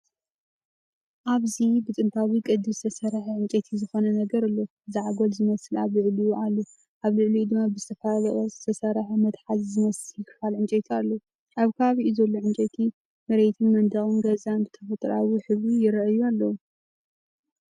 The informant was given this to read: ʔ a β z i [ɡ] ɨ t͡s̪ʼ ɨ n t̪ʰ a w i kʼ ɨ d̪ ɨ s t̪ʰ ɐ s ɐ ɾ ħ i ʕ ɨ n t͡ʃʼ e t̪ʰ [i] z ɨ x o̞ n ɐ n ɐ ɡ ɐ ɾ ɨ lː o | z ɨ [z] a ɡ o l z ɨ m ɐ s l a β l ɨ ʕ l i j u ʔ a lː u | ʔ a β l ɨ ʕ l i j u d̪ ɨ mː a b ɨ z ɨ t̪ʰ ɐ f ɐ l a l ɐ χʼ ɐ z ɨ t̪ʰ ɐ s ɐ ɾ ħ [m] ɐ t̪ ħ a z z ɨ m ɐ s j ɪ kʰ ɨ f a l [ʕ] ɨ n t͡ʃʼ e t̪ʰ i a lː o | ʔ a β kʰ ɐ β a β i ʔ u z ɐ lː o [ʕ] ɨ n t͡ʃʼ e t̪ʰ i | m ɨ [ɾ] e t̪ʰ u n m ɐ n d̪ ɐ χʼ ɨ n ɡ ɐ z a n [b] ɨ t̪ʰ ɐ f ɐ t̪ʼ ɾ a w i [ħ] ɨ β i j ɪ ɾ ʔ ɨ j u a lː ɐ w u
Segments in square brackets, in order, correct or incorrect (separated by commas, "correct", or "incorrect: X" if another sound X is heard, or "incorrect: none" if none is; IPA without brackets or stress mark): incorrect: b, correct, incorrect: ʕ, correct, correct, correct, correct, correct, correct